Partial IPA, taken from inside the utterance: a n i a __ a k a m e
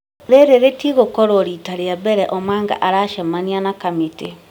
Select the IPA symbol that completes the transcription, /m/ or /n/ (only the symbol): n